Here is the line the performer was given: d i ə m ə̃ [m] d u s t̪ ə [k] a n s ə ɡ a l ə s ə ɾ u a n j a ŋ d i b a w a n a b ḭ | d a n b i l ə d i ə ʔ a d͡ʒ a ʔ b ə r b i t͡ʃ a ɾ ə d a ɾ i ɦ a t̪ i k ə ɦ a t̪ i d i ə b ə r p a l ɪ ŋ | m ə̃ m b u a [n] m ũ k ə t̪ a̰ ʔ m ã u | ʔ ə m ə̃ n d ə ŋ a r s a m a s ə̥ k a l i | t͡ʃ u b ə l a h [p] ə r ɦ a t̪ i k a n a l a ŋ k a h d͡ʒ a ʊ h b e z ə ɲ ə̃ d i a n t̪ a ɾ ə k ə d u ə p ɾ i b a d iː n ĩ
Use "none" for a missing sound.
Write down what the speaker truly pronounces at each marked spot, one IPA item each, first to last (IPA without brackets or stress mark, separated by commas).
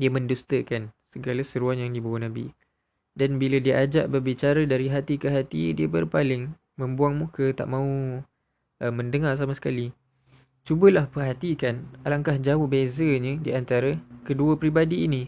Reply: n, k, ŋ, p